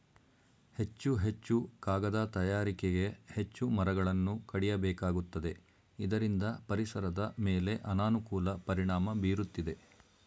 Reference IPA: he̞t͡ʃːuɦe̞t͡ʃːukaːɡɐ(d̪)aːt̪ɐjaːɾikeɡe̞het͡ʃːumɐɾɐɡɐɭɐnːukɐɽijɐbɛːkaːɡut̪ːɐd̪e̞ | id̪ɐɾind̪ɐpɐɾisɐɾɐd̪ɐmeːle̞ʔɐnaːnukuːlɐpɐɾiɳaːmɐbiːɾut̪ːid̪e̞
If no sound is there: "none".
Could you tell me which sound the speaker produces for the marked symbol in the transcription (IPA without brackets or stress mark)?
d̪